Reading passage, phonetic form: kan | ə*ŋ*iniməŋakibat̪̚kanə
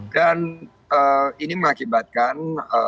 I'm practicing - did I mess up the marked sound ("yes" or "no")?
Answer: yes